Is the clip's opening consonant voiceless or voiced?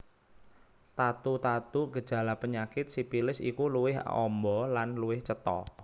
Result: voiceless